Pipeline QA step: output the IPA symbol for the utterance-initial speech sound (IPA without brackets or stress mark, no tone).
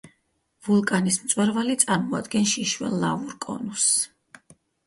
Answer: v